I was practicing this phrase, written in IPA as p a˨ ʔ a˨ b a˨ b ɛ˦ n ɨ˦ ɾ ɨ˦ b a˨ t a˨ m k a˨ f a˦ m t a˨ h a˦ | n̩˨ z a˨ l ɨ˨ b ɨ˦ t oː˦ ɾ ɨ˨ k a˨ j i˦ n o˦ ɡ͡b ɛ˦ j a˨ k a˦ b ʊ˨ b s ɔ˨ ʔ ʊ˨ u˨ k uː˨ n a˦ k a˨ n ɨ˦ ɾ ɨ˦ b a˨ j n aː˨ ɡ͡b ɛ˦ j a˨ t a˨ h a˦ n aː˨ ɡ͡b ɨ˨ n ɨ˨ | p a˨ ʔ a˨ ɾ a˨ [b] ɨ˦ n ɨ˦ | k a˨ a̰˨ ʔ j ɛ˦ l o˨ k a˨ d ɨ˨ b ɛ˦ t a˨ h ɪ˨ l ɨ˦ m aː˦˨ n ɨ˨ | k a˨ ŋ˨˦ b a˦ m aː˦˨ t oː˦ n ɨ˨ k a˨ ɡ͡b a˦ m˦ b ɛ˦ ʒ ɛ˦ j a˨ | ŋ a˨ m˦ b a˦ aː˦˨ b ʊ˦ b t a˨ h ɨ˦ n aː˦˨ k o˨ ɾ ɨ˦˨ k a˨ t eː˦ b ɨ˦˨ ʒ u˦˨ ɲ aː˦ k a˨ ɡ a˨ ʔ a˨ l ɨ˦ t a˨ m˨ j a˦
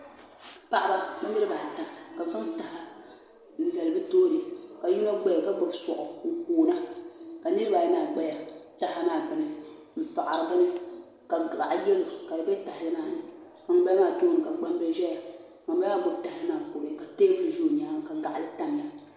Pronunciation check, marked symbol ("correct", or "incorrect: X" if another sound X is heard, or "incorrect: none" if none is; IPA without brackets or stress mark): correct